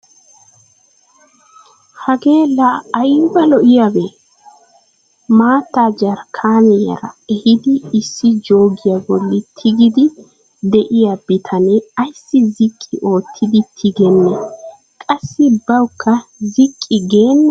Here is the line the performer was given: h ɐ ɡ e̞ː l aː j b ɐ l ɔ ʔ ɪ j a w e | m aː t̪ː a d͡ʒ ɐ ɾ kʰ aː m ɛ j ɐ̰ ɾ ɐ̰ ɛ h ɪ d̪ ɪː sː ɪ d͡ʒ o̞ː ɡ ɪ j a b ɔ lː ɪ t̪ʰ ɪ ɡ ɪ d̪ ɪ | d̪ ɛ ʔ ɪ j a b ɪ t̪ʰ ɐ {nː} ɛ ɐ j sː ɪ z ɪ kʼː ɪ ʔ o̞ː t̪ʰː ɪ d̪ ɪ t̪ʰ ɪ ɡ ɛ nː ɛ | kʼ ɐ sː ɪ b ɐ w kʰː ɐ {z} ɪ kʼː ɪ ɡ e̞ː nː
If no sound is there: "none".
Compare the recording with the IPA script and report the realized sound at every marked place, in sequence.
n, z

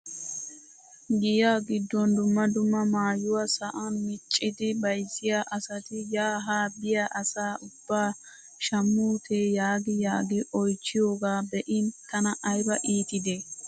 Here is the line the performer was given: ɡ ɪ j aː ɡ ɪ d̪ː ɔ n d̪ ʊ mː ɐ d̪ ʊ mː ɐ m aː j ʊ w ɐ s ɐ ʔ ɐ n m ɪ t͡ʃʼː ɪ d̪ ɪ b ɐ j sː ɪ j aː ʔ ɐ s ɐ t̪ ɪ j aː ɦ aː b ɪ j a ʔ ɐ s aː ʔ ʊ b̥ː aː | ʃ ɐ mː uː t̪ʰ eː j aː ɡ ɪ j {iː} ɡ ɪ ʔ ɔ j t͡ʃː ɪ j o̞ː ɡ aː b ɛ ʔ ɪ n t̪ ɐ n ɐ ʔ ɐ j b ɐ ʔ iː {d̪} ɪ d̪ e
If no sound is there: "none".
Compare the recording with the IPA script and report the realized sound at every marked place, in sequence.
aː, t̪

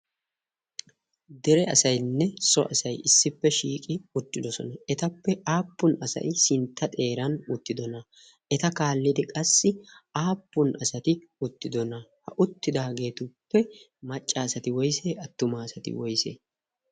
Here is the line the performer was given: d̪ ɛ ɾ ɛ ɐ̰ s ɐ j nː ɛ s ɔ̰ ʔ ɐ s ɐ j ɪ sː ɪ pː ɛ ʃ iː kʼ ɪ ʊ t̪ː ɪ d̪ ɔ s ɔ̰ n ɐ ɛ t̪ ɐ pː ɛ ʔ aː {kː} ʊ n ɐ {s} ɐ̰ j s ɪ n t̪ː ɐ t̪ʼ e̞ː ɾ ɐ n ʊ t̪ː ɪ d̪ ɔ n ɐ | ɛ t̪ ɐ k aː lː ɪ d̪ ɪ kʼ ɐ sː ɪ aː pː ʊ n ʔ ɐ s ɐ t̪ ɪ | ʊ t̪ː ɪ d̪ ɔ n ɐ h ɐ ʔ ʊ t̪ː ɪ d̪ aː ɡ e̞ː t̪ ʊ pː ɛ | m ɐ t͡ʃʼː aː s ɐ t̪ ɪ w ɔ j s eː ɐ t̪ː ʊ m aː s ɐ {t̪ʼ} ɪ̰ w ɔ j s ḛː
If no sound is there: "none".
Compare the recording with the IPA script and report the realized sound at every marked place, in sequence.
pː, s, t̪

